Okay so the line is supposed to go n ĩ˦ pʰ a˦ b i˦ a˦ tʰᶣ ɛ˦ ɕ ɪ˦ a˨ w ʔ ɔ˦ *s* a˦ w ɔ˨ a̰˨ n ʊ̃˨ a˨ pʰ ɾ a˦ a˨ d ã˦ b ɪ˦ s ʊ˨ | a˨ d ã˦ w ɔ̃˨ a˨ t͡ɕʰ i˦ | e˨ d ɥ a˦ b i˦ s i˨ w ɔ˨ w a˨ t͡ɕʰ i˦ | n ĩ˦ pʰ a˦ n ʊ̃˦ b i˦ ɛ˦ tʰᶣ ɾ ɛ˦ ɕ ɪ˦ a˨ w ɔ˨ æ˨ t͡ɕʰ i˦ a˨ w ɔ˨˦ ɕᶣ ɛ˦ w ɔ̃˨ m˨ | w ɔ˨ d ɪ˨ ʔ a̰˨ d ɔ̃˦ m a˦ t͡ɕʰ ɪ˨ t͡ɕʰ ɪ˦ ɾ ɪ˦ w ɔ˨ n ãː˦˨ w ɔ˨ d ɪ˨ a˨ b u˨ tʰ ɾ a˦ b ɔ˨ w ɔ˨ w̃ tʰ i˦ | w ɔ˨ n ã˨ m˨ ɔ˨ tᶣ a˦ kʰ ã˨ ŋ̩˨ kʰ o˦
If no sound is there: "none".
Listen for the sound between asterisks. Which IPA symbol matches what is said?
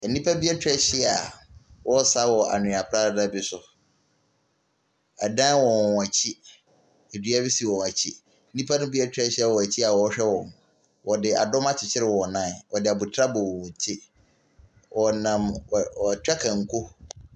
s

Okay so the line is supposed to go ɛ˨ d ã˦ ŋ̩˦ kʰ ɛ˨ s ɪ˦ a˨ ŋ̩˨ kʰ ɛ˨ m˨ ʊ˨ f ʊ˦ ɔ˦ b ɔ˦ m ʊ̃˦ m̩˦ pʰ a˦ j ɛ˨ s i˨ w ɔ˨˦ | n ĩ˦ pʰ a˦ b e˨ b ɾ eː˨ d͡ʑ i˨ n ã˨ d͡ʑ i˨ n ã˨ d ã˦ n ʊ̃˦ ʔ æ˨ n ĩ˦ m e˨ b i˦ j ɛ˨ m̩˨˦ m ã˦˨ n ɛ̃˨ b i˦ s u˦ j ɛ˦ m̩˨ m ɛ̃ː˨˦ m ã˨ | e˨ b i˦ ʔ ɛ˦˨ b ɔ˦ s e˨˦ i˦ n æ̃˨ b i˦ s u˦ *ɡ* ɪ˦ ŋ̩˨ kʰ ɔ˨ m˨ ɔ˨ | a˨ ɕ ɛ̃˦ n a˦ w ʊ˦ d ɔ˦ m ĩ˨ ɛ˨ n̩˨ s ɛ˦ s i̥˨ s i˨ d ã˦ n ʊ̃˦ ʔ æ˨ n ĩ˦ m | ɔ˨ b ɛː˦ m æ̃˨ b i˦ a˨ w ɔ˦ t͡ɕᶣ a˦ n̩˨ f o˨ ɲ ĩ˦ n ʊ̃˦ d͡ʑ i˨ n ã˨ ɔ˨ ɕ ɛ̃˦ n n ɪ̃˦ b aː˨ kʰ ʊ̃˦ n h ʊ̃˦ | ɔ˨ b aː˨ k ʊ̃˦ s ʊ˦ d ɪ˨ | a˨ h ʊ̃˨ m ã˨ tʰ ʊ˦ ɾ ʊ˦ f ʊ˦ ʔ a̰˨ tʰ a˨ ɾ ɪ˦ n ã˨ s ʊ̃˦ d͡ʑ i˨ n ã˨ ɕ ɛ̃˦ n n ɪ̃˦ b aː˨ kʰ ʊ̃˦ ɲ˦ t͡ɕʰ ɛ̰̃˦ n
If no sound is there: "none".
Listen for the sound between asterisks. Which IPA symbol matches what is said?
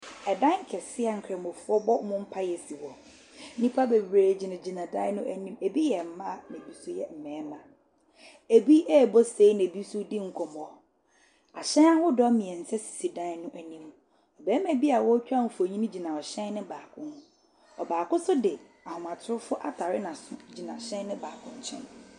d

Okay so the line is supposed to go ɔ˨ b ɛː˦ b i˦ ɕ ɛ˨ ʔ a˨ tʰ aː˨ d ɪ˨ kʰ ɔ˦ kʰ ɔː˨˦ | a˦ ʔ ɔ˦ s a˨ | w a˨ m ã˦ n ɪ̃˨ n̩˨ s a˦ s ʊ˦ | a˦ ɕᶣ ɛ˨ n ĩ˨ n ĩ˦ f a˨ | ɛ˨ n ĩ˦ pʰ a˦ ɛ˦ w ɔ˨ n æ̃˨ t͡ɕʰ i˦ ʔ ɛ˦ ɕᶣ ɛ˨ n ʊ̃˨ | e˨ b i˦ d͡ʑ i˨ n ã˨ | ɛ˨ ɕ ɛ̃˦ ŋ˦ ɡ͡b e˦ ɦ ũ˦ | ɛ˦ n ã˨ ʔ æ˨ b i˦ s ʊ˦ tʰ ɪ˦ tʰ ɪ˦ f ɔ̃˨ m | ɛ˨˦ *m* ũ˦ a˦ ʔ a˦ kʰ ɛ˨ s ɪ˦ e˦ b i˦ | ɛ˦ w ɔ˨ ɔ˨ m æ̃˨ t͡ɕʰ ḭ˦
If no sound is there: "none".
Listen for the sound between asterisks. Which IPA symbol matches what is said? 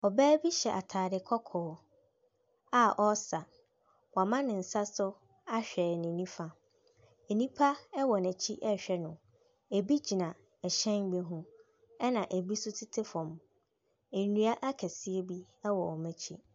n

